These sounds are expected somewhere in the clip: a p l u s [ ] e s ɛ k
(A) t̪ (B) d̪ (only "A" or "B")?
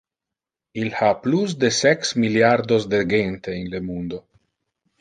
B